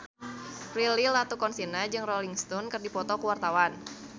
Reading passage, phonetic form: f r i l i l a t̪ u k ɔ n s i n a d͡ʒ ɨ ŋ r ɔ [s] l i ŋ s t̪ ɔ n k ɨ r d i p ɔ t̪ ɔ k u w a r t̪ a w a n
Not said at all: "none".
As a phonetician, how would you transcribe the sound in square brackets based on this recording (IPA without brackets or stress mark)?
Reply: none